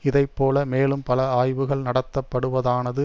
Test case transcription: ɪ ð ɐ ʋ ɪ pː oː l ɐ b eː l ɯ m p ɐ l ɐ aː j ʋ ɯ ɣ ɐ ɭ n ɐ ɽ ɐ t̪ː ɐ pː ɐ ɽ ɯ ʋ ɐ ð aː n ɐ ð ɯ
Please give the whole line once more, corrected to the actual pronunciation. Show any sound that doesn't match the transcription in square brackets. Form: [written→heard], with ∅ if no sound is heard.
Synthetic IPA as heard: ɪ ð ɐ [ʋ→∅] ɪ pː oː l ɐ [b→m] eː l ɯ m p ɐ l ɐ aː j ʋ ɯ ɣ ɐ ɭ n ɐ ɽ ɐ t̪ː ɐ pː ɐ ɽ ɯ ʋ ɐ ð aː n ɐ ð ɯ